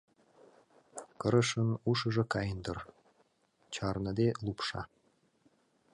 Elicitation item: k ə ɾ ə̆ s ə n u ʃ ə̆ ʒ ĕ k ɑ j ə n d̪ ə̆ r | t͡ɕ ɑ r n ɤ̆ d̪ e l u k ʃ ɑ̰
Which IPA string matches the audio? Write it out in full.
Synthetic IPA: k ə ɾ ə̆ ʃ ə n u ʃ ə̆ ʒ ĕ k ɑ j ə n d̪ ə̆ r | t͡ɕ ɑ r n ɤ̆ d̪ e l u p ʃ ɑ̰

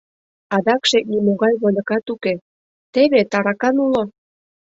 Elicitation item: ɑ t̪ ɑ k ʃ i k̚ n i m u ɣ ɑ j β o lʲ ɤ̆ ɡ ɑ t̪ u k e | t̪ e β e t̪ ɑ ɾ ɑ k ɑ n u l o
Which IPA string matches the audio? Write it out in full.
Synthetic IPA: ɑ d̪ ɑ k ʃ e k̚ n i m o ɣ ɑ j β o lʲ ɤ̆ k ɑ t̪ u k e | t̪ e β e t̪ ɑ ɾ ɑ k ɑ n u l o

